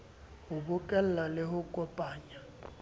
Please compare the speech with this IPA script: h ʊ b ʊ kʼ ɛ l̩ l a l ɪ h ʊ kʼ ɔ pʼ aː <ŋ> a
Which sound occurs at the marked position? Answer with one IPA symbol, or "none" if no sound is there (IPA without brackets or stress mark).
ɲ